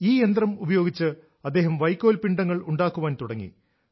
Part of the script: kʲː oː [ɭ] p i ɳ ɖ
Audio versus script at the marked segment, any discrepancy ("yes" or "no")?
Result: yes